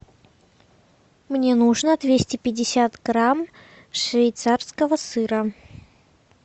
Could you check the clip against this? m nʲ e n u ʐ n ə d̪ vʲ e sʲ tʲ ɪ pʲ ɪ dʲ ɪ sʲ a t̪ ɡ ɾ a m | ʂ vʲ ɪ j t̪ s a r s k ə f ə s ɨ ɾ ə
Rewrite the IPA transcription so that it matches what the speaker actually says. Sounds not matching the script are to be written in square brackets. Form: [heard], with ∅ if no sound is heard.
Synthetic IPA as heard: m nʲ e n u ʐ n ə d̪ vʲ e sʲ tʲ ɪ pʲ ɪ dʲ ɪ sʲ a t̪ ɡ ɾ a m | ʂ vʲ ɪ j t̪ s a r s k ə [v] ə s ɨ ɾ ə